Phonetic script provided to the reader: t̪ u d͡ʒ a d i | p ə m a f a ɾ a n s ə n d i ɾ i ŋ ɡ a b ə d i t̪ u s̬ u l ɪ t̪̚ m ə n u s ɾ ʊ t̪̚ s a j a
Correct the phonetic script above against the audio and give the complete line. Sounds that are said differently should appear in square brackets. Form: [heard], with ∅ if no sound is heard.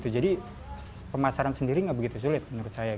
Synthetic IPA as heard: t̪ u d͡ʒ a d i | p ə m a [s] a ɾ a n s ə n d i ɾ i ŋ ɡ a b ə [ɡ] i t̪ u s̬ u l ɪ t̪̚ m ə n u [∅] ɾ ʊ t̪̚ s a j a

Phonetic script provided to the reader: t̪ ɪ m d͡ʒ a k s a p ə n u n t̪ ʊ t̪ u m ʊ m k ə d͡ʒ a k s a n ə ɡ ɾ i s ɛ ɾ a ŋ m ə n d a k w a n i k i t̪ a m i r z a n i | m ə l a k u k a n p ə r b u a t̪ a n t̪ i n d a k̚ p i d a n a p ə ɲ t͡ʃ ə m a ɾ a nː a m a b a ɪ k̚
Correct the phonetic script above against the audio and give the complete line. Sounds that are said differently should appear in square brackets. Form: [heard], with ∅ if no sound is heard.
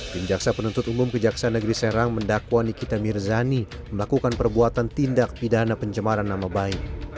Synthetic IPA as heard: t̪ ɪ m d͡ʒ a k s a p ə n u n t̪ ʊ t̪ u m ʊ m k ə d͡ʒ a k s a n ə ɡ ɾ i s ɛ ɾ a ŋ m ə n d a k w a n i k i t̪ a m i r z a n i | m ə l a k u k a n p ə r b u a t̪ a n t̪ i n d a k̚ p i d a n a p ə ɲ t͡ʃ ə m a ɾ a nː a m a b a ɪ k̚

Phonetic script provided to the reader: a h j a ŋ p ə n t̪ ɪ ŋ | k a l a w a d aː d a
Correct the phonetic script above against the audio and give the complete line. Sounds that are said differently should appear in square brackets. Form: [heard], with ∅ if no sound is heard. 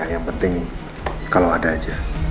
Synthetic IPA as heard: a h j a ŋ p ə n t̪ ɪ ŋ | k a l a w a d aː [d͡ʒ] a

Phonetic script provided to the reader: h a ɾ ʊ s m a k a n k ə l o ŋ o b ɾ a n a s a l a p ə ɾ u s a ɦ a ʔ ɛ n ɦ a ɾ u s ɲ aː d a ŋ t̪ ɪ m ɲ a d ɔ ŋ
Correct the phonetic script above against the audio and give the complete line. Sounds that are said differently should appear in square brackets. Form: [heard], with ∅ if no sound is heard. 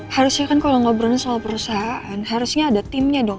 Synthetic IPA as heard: h a ɾ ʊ s [ɲ] a k a n k [a] l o ŋ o b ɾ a n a s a l a p ə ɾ u s a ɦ a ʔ [a] n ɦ a ɾ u s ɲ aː d a [∅] t̪ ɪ m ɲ a d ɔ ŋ

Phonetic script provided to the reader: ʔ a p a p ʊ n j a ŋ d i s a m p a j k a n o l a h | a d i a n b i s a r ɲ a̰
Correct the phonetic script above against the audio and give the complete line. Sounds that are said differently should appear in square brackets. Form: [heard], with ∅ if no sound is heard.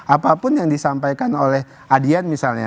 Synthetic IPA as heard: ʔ a p a p ʊ n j a ŋ d i s a m p a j k a n o l [ɛ] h | a d i a n [m] i s a [l] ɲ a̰

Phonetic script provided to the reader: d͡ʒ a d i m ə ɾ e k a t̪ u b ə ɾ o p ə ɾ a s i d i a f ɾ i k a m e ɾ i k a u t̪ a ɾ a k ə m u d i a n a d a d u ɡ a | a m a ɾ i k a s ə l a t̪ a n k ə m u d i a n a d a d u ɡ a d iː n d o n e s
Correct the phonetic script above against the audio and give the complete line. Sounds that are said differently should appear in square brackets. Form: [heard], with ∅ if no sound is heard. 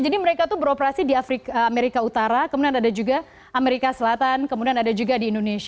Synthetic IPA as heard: d͡ʒ a d i m ə ɾ e k a t̪ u b ə ɾ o p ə ɾ a s i d i a f ɾ i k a m e ɾ i k a u t̪ a ɾ a k ə m u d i a n a d a [d͡ʒ] u ɡ a | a m [e] ɾ i k a s ə l a t̪ a n k ə m u d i a n a d a [d͡ʒ] u ɡ a d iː n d o n e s

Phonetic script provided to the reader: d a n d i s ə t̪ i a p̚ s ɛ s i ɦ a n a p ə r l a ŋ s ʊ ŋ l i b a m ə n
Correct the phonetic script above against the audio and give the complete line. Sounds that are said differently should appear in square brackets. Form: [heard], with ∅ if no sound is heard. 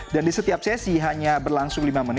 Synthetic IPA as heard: d a n d i s ə t̪ i a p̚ s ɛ s i ɦ a [ɲ] a [b] ə r l a ŋ s ʊ ŋ l i [m] a m ə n

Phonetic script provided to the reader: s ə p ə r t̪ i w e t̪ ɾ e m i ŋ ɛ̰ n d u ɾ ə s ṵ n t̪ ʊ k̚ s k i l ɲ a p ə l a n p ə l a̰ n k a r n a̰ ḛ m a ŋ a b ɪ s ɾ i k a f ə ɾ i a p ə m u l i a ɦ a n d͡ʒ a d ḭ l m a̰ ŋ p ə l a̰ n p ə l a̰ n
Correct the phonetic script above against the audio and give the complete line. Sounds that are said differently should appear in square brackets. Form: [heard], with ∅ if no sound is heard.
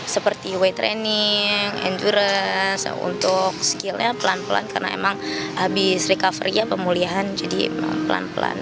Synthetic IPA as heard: s ə p ə r t̪ i w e t̪ ɾ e [n] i ŋ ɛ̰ n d u ɾ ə s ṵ n t̪ ʊ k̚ s k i l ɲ a p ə l a n p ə l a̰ n k a r n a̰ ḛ m a ŋ a b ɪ s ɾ i k a f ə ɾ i a p ə m u l i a ɦ a n d͡ʒ a d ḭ [∅] m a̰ ŋ p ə l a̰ n p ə l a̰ n

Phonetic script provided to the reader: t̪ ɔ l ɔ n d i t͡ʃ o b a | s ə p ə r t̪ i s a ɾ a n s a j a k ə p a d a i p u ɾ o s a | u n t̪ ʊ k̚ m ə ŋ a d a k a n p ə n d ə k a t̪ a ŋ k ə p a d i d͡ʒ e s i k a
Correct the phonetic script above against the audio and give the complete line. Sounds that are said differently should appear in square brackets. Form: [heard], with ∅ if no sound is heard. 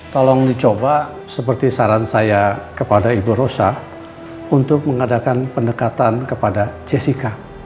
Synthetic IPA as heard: t̪ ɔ l ɔ [ŋ] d i t͡ʃ o b a | s ə p ə r t̪ i s a ɾ a n s a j a k ə p a d a i [b] u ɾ o s a | u n t̪ ʊ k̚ m ə ŋ a d a k a n p ə n d ə k a t̪ a [n] k ə p a d [a] d͡ʒ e s i k a

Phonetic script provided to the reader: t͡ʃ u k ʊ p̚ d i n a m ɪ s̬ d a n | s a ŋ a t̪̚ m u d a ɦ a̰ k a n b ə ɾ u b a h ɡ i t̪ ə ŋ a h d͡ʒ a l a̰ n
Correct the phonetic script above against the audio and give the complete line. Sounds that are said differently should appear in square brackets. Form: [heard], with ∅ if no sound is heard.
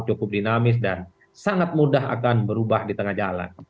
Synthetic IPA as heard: t͡ʃ u k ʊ p̚ d i n a m ɪ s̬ d a n | s a ŋ a t̪̚ m u d a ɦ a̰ k a n b ə ɾ u b a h [d] i t̪ ə ŋ a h d͡ʒ a l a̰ n

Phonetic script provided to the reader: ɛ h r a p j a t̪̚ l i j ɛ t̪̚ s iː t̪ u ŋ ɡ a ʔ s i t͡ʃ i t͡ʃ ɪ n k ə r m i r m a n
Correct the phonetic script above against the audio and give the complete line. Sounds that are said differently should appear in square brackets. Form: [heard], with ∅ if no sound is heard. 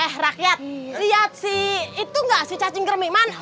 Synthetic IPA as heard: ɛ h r a [k] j a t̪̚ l i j [a] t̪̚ s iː t̪ u ŋ ɡ a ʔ s i t͡ʃ [a] t͡ʃ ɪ [ŋ] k ə r m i [∅] m a n

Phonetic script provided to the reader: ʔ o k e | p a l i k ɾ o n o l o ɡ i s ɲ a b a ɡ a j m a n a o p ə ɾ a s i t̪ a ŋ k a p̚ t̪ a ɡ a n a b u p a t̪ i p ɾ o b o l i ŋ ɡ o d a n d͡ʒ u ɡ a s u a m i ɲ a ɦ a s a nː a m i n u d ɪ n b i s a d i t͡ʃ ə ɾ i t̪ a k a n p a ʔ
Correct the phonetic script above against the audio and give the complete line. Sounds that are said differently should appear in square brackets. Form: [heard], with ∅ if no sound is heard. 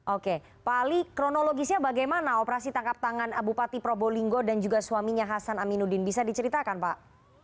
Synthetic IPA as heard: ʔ o k e | p a l i k ɾ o n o l o ɡ i s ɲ a b a ɡ a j m a n a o p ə ɾ a s i t̪ a ŋ k a p̚ t̪ a [ŋ] a n a b u p a t̪ i p ɾ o b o l i ŋ ɡ o d a n d͡ʒ u ɡ a s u a m i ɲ a ɦ a s a [n] a m i n u d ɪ n b i s a d i t͡ʃ ə ɾ i t̪ a k a n p a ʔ

